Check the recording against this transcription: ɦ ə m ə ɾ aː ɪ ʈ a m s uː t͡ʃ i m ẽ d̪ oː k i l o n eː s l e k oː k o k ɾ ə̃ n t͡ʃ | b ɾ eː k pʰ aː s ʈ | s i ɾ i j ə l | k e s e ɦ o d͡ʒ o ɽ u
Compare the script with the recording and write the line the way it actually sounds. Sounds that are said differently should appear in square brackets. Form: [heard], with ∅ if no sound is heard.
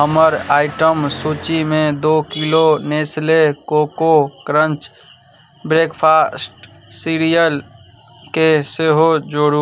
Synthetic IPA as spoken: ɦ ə m ə ɾ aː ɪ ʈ [ə] m s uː t͡ʃ i m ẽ d̪ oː k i l o n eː s l e k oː k o k ɾ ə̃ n t͡ʃ | b ɾ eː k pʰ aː s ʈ | s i ɾ i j ə l | k e s e ɦ o d͡ʒ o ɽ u